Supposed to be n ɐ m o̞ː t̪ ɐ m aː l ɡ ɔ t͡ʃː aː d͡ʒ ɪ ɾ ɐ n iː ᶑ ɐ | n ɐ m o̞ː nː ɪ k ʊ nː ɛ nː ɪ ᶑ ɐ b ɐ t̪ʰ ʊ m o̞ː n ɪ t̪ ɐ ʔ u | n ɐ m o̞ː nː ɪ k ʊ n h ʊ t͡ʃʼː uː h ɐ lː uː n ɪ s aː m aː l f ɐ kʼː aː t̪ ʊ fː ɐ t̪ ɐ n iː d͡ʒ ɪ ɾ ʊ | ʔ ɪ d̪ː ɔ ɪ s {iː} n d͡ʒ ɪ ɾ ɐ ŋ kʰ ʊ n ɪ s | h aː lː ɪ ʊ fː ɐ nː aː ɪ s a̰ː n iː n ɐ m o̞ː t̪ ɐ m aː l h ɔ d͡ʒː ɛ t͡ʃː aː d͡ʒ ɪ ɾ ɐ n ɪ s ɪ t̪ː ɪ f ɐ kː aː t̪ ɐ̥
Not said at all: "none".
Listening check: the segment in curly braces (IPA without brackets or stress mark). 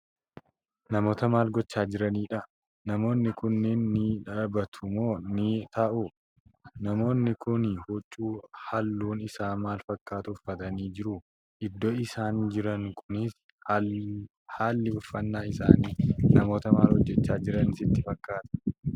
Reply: aː